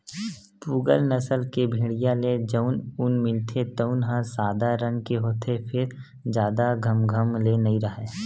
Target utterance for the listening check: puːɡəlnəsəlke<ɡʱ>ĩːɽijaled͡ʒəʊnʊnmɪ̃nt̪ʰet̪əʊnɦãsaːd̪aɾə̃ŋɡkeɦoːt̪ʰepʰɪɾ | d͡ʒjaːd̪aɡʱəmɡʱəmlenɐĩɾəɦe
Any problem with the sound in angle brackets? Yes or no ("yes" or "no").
yes